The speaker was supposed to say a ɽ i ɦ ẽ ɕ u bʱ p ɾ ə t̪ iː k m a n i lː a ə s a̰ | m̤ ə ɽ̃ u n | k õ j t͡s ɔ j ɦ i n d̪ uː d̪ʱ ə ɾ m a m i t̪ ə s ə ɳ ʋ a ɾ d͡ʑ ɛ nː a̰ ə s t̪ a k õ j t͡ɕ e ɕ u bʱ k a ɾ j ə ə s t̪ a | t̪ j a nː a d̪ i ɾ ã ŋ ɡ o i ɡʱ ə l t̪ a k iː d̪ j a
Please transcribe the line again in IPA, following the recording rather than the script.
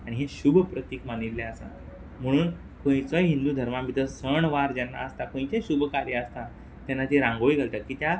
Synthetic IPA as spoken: a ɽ i ɦ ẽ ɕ u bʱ p ɾ ə t̪ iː k m a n i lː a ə s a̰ | m̤ ə ɽ̃ uː n | k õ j t͡s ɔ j ɦ i n d̪ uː d̪ʱ ə ɾ m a m i t̪ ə s ə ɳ ʋ a ɾ d͡ʑ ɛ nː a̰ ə s t̪ a k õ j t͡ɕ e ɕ u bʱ k a ɾ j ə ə s t̪ a | t̪ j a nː a t̪ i ɾ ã ŋ ɡ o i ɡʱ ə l t̪ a k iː t̪ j a